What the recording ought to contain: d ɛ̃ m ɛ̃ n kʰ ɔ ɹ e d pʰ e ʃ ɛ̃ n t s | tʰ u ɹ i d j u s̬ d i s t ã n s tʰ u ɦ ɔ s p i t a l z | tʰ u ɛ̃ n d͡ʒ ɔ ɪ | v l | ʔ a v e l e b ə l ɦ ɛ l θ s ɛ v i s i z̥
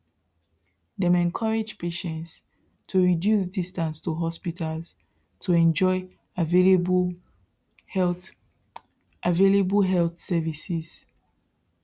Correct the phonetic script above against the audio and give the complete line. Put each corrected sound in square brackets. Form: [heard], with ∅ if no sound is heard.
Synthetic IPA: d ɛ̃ m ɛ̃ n kʰ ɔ ɹ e [d͡ʒ] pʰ e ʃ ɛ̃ n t s | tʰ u ɹ i d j u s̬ d i s t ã n s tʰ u ɦ ɔ s p i t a l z | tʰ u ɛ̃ n d͡ʒ ɔ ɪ | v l | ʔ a v e l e b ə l ɦ ɛ l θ s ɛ v i s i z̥